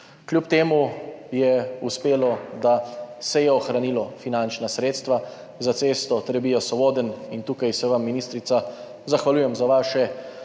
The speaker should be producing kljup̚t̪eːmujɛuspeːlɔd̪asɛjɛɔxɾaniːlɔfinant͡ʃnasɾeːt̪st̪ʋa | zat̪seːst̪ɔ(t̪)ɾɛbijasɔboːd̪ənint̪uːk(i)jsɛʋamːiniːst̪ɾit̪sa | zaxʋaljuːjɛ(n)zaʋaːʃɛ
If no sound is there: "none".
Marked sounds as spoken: t̪, a, m

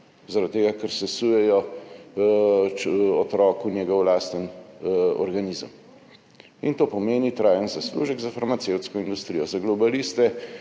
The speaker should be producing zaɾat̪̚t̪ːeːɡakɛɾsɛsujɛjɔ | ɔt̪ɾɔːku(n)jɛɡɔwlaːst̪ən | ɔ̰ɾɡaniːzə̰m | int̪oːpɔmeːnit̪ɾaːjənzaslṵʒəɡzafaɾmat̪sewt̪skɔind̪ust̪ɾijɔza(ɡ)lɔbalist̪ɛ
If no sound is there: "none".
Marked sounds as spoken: n, ɡ

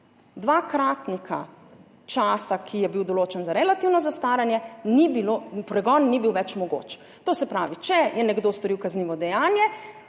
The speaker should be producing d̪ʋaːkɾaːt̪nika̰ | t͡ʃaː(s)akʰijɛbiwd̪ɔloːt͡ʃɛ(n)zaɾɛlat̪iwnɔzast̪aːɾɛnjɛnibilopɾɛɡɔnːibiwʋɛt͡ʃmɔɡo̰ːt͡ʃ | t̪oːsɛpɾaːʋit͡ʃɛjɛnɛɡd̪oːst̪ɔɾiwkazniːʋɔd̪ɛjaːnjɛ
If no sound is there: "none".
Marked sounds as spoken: s, n

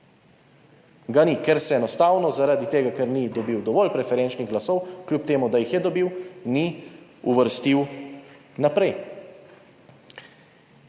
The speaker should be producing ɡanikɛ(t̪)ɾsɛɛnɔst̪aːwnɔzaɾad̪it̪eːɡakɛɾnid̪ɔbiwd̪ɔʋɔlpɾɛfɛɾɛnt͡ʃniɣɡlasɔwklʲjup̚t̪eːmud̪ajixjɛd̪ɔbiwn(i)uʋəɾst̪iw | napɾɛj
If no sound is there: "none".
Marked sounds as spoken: none, i

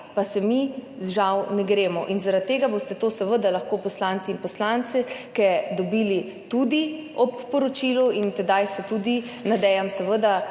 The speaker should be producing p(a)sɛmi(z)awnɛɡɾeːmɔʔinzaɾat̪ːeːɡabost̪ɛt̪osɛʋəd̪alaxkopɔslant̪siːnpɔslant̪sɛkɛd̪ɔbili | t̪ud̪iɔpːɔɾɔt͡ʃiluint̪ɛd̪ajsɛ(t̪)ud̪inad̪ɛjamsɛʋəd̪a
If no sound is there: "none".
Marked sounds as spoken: a, ʒ, t̪

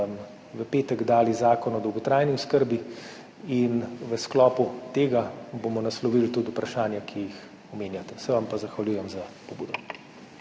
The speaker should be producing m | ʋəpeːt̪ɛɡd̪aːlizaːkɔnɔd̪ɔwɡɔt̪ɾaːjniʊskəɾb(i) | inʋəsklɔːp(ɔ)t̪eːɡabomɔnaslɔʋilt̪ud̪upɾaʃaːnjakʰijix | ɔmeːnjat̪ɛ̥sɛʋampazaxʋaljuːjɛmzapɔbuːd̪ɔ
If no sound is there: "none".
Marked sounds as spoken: i, u

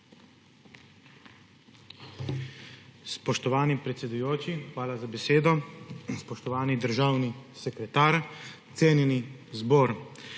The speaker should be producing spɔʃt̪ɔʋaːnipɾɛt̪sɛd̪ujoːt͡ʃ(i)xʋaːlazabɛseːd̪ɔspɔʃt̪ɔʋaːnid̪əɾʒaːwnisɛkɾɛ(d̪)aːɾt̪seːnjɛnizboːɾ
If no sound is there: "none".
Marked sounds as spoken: i, t̪

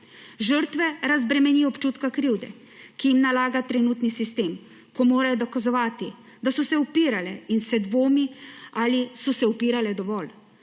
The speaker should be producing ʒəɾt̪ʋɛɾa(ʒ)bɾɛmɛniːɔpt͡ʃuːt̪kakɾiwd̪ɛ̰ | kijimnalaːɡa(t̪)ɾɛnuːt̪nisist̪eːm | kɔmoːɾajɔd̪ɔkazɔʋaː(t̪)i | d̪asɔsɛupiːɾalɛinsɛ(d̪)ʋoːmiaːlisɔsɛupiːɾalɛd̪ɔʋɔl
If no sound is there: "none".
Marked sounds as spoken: z, t̪, t̪, d̪

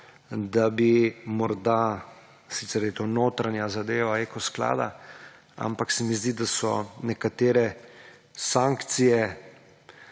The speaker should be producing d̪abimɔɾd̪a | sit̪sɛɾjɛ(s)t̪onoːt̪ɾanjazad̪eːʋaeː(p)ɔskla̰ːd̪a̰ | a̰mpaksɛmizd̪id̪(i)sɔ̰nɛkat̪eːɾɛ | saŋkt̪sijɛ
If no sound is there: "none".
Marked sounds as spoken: none, k, a

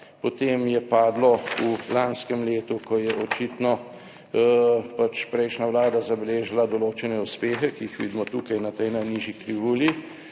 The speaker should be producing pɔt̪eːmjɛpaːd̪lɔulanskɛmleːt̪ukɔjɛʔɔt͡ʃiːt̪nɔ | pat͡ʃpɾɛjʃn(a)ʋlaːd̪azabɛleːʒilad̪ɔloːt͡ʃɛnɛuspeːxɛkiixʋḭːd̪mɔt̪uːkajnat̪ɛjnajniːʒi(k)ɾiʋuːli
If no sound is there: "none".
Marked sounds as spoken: a, k

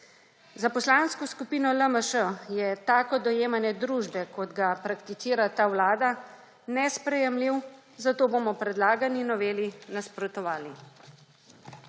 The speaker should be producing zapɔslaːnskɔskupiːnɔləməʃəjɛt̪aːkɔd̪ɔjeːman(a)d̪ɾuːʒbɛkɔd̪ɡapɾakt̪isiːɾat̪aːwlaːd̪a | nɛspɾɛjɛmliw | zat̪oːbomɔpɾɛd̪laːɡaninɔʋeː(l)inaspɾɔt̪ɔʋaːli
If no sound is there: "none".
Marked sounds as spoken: ɛ, l

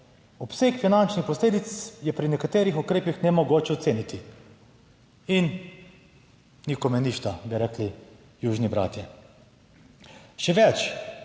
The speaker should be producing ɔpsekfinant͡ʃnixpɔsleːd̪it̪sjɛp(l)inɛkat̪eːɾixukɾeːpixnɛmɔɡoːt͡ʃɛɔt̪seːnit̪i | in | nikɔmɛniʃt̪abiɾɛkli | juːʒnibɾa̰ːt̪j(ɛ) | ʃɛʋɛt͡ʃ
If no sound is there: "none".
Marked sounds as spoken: ɾ, ɛ

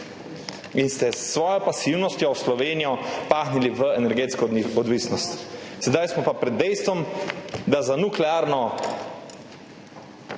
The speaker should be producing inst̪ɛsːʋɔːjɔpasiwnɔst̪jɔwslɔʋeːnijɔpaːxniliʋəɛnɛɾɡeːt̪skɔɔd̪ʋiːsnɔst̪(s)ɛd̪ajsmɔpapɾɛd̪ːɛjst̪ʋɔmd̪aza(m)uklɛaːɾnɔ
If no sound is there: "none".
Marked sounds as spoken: s, n

